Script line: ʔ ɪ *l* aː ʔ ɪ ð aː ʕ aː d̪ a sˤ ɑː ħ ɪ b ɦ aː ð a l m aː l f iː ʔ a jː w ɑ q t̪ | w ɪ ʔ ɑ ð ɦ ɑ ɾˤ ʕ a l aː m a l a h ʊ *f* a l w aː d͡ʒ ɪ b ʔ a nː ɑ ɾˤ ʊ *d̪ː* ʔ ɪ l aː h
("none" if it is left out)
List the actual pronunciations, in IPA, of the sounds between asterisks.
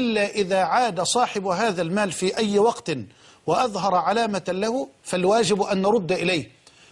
lː, f, d̪ː

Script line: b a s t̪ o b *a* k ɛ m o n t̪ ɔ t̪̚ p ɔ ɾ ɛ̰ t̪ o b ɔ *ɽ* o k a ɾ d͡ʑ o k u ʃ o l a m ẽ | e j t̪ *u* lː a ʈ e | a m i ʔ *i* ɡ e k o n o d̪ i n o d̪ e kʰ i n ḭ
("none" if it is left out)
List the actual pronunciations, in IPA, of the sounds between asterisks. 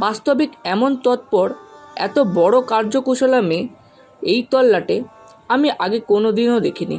i, ɽ, ɔ, a

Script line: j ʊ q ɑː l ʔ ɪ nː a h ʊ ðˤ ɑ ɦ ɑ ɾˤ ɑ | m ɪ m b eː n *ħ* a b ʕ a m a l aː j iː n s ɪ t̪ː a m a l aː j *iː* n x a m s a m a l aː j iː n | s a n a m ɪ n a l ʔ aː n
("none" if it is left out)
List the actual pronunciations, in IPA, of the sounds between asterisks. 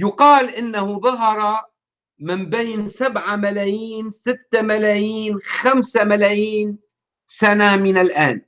s, iː

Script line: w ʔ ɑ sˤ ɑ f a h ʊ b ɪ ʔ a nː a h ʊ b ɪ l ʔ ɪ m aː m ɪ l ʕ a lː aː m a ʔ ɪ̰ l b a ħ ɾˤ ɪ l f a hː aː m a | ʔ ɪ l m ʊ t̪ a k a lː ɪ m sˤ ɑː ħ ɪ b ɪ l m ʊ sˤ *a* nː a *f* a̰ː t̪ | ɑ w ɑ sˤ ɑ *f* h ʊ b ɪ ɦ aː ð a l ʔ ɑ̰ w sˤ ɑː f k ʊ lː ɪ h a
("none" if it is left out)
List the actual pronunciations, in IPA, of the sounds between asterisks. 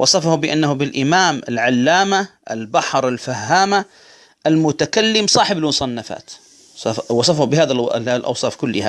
ɑ, f, f

